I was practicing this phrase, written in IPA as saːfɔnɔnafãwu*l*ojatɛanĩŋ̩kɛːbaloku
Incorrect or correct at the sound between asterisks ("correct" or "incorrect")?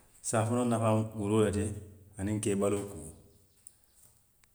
incorrect